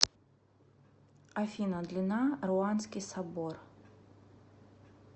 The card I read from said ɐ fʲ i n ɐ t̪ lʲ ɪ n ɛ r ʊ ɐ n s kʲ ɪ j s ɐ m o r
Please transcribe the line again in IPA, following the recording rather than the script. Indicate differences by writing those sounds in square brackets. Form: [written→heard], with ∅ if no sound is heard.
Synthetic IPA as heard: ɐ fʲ i n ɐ [t̪→d̪] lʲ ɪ n [ɛ→a] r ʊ [ɐ→a] n s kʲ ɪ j s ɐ [m→b] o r